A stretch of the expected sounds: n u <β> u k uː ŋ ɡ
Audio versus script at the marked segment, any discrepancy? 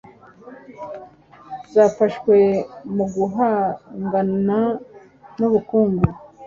no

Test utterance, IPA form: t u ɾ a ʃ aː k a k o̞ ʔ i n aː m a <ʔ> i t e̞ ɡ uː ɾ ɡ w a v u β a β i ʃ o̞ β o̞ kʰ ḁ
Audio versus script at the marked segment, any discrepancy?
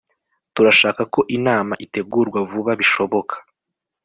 no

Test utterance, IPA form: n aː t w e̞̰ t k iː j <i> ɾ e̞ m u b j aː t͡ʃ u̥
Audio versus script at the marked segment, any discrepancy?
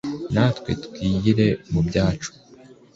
no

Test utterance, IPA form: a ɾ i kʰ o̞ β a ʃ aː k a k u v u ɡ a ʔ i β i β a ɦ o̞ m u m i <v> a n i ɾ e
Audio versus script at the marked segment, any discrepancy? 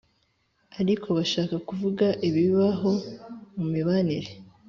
yes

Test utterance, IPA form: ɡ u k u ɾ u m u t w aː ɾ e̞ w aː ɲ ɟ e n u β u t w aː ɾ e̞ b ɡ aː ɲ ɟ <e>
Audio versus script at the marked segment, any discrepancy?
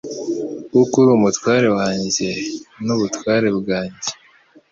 no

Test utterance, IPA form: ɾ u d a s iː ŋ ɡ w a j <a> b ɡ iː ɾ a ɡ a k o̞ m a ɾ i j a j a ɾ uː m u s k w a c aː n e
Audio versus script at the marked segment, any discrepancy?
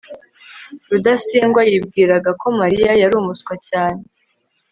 yes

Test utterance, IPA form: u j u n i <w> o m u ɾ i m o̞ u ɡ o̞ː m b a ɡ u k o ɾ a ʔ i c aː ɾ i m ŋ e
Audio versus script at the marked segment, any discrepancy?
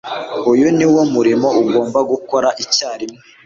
no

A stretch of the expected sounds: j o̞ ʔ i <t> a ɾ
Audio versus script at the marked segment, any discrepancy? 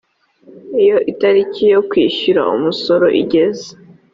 no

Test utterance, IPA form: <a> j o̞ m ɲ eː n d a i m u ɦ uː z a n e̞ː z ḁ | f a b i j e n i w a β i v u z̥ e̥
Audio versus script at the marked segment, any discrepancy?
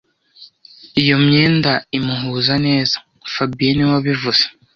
yes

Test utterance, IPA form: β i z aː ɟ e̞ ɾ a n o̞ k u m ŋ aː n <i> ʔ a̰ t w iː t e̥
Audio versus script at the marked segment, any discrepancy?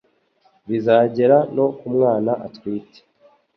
yes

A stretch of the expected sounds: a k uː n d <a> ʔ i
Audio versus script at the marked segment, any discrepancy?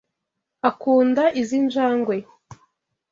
no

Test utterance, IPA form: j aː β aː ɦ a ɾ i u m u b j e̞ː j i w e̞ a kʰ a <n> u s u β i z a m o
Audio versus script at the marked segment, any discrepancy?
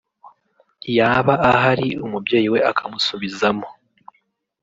yes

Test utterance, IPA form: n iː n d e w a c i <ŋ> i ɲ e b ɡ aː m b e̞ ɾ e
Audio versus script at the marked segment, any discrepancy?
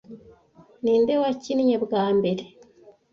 yes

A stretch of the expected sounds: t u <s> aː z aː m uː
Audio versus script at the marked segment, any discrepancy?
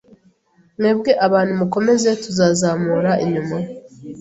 yes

